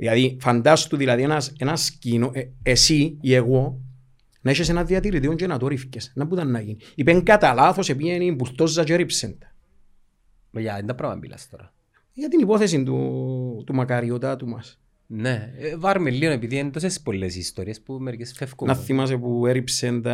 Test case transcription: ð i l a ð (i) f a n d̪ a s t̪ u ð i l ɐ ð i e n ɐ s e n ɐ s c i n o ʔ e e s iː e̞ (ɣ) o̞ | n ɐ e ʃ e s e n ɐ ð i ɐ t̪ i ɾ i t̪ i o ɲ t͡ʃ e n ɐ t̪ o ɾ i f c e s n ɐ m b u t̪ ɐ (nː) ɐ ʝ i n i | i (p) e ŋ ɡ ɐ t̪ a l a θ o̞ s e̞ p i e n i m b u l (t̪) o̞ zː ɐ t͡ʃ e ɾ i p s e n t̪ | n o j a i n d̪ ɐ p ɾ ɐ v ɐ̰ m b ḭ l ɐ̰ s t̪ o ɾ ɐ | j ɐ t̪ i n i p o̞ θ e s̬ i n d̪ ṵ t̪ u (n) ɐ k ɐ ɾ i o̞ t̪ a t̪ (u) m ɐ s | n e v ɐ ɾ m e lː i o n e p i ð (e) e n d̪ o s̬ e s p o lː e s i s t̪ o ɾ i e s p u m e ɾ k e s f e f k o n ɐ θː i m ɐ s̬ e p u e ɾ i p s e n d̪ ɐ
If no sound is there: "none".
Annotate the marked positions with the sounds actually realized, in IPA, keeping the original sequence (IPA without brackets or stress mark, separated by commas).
i, ɣ, nː, p, t̪, m, u, i